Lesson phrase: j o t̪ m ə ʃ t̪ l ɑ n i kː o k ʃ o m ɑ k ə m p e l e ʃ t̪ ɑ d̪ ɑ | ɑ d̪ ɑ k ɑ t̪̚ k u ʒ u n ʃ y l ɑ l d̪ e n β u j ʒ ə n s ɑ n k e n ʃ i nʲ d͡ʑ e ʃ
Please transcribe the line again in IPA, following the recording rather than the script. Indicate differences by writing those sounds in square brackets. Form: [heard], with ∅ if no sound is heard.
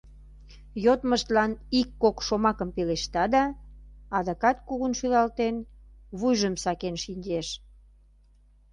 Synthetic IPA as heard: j o t̪ m ə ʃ t̪ l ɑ n i kː o k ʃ o m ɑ k ə m p e l e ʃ t̪ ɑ d̪ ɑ | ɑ d̪ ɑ k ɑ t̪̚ k u [ɣ] u n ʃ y l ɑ l [t̪] e n β u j ʒ ə [m] s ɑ [∅] k e n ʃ i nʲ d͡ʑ e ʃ